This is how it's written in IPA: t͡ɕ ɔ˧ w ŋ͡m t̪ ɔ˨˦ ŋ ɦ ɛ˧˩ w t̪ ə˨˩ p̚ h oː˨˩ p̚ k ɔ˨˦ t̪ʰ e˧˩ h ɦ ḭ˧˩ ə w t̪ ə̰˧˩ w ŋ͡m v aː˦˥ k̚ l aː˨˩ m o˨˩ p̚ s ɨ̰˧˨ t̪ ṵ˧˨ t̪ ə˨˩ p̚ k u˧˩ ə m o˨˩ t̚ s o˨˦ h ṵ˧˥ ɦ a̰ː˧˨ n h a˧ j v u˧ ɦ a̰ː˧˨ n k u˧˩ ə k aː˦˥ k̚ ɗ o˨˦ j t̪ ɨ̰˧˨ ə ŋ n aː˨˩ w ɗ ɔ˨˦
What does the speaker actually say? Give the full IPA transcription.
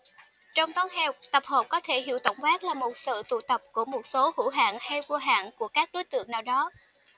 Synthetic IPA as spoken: t͡ɕ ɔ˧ w ŋ͡m t̪ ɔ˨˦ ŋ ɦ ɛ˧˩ w t̪ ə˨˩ p̚ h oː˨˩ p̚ k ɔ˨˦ t̪ʰ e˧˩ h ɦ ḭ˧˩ ə w t̪ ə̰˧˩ w ŋ͡m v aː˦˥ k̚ l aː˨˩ m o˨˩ t̚ s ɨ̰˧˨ t̪ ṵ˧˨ t̪ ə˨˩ p̚ k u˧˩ ə m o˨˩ t̚ s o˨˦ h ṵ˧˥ ɦ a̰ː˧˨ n h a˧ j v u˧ ɦ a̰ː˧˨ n k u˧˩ ə k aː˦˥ k̚ ɗ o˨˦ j t̪ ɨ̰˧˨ ə ŋ n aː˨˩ w ɗ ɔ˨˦